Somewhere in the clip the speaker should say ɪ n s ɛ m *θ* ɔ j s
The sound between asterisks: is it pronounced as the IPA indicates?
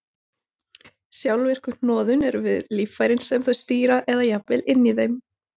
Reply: yes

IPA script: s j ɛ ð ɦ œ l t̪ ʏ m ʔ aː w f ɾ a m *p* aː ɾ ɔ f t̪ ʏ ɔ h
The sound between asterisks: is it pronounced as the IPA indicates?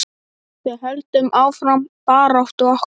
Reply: yes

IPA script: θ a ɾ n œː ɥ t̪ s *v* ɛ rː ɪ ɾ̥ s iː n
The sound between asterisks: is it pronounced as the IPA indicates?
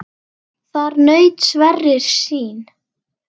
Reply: yes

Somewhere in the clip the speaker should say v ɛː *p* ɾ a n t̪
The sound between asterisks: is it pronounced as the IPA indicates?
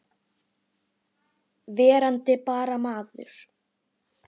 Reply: no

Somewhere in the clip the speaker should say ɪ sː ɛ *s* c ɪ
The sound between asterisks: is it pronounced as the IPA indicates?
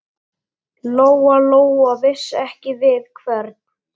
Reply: no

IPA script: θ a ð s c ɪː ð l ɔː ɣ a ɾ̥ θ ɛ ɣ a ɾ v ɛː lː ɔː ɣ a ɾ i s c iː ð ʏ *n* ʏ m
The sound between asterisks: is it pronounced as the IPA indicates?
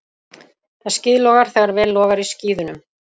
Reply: yes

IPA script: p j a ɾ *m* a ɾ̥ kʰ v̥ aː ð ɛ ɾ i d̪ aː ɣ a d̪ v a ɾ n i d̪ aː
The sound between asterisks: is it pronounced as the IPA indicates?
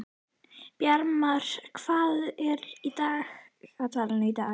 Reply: yes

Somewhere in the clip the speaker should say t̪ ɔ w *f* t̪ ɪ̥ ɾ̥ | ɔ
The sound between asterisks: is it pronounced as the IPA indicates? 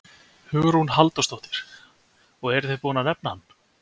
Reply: no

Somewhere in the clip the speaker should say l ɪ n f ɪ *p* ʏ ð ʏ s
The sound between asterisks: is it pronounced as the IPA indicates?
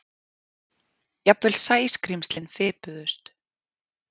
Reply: yes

